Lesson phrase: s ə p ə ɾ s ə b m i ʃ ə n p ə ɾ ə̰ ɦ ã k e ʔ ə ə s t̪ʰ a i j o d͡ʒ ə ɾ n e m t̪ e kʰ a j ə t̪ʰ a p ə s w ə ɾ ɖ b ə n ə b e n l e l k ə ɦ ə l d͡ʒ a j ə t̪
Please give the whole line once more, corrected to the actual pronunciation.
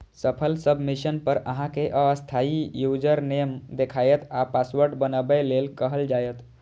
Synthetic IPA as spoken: s ə pʰ ə l s ə b m i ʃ ə n p ə ɾ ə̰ ɦ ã k e ʔ ə ə s t̪ʰ a i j u d͡ʒ ə ɾ n e m d̪ e kʰ a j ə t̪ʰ a p a s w ə ɾ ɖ b ə n ə b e l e l k ə ɦ ə l d͡ʒ a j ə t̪